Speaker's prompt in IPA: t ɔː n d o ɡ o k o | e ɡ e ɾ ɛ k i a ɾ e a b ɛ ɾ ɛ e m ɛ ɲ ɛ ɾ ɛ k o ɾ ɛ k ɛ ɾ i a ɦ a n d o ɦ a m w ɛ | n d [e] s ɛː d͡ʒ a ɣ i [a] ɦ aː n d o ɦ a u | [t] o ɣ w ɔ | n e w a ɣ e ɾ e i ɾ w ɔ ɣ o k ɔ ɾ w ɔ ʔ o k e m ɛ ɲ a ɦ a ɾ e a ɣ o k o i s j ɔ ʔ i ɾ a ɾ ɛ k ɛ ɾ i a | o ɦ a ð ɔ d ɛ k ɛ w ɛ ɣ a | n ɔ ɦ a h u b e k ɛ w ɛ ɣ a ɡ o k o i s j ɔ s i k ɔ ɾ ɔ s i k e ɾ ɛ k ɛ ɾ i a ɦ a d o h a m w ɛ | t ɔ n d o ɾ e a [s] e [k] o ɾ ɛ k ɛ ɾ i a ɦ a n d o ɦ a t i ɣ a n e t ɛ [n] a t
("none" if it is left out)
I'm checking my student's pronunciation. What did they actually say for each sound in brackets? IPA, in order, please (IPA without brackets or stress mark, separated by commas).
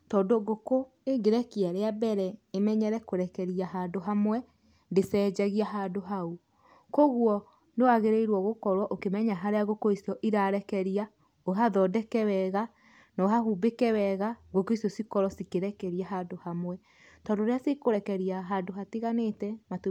e, a, k, s, k, m